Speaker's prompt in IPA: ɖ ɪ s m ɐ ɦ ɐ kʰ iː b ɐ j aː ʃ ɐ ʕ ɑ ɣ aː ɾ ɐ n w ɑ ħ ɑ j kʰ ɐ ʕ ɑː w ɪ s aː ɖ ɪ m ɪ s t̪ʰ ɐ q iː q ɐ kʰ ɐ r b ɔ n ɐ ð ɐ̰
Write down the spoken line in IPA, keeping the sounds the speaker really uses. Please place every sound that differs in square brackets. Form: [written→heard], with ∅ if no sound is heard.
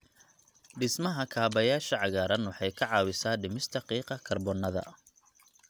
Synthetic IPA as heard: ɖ ɪ s m ɐ ɦ ɐ kʰ [iː→aː] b ɐ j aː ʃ ɐ ʕ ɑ ɣ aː ɾ ɐ n w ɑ ħ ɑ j kʰ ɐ ʕ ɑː w ɪ s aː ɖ ɪ m ɪ s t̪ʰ ɐ q iː q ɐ kʰ ɐ r b ɔ n ɐ ð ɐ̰